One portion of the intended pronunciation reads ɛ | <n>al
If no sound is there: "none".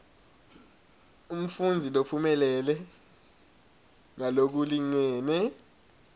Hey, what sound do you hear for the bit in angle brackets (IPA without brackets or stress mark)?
ŋ